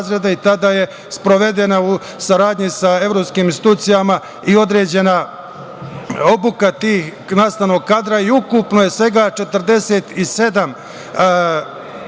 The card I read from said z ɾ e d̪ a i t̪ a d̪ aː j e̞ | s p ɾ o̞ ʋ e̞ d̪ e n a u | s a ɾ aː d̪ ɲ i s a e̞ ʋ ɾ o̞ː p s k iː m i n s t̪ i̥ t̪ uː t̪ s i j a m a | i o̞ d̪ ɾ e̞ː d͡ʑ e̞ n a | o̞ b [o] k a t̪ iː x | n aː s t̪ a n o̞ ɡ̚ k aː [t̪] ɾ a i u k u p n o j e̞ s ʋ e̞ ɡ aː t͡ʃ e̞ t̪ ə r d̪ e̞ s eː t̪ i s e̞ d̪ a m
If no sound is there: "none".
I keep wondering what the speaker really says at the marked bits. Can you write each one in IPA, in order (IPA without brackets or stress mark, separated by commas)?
u, d̪